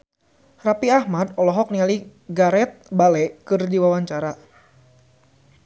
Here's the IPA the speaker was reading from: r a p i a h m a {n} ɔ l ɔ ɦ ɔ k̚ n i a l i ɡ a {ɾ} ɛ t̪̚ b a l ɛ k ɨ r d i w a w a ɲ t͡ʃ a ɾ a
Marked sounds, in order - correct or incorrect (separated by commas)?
incorrect, correct